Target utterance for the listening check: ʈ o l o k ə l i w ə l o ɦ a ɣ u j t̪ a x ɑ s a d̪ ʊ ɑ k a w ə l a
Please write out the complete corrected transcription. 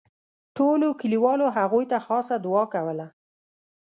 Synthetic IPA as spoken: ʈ o l o k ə l i w ɑ l o ɦ a ɣ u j t̪ a x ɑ s a d̪ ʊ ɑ k a w ə l a